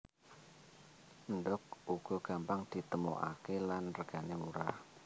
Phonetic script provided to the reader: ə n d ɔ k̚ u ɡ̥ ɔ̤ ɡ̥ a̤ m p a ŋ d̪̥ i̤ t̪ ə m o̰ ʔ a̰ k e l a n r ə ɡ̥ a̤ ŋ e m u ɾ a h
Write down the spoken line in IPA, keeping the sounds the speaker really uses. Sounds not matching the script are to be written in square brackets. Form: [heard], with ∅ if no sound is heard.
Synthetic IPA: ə n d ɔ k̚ u ɡ̥ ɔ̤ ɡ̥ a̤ m p a ŋ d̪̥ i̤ t̪ ə m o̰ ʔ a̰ k e l a n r ə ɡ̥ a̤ [n] e m u ɾ a h